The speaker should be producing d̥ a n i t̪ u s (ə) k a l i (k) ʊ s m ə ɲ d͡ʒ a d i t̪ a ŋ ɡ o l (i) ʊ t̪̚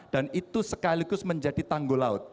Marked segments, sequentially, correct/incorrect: correct, incorrect: ɡ, incorrect: a

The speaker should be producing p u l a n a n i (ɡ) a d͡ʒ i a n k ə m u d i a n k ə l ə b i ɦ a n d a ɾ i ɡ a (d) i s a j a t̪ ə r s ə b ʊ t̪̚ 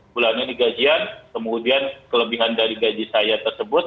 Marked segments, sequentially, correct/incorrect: correct, incorrect: d͡ʒ

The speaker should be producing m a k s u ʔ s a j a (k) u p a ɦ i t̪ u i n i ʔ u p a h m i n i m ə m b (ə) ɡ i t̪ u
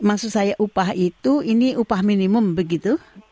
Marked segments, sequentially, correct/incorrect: incorrect: ʔ, correct

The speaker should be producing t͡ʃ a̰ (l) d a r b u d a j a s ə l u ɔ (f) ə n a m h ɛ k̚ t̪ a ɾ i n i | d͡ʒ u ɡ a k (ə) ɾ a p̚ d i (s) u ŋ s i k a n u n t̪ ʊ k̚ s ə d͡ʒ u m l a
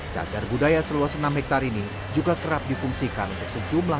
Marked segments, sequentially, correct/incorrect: incorrect: none, incorrect: s, correct, incorrect: f

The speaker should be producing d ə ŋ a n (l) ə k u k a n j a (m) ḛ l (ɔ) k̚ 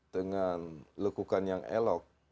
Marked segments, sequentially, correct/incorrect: correct, incorrect: ŋ, correct

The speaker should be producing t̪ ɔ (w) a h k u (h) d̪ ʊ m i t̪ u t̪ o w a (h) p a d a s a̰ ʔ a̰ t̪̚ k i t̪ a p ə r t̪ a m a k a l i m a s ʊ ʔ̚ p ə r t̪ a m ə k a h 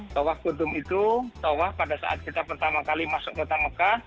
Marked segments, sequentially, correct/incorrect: correct, incorrect: none, correct

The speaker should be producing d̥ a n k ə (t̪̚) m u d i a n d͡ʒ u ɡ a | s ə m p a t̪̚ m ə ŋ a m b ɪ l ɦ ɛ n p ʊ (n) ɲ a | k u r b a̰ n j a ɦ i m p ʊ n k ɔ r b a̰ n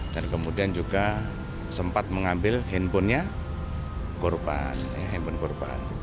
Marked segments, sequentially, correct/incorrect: incorrect: none, correct

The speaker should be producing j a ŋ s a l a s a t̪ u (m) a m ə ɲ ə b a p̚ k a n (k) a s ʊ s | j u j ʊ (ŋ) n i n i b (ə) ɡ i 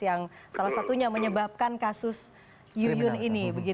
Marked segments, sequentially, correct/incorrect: incorrect: ɲ, correct, incorrect: none, correct

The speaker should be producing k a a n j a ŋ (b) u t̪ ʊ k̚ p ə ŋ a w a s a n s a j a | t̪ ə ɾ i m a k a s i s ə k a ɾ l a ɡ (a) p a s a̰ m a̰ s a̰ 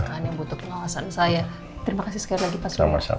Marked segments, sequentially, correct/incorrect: correct, incorrect: i

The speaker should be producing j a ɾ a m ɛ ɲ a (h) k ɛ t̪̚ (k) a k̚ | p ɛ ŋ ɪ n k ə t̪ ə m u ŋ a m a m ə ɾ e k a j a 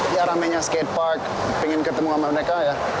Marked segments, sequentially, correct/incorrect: incorrect: s, incorrect: p

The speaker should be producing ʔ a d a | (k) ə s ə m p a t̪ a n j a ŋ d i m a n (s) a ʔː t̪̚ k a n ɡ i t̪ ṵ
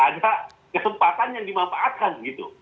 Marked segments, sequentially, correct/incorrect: correct, incorrect: f

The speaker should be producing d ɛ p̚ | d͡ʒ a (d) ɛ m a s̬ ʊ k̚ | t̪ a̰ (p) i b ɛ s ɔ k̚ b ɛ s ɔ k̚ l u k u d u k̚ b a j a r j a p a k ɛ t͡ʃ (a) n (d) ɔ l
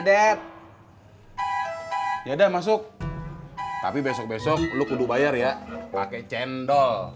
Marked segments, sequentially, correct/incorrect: correct, correct, incorrect: ɛ, correct

